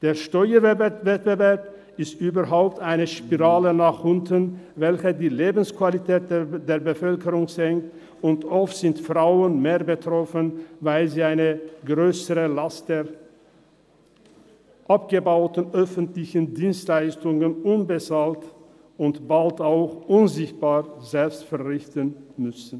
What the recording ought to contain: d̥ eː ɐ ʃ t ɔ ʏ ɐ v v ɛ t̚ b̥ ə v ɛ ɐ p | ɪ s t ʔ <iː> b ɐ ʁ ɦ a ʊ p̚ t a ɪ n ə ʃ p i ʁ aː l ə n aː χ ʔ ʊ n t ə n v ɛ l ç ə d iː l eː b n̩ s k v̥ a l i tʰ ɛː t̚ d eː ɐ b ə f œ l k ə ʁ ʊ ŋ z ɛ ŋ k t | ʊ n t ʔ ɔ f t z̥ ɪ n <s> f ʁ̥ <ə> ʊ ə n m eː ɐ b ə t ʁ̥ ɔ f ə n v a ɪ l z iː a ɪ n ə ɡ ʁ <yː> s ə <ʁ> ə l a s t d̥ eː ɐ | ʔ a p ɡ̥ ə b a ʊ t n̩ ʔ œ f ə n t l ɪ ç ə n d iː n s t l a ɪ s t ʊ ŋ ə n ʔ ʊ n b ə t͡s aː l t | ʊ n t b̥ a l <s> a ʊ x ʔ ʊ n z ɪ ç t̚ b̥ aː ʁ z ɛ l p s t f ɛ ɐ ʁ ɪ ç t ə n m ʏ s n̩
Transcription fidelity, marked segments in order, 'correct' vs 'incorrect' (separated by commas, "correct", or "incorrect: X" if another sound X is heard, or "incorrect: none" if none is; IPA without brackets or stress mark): incorrect: yː, incorrect: t, incorrect: a, incorrect: øː, correct, incorrect: t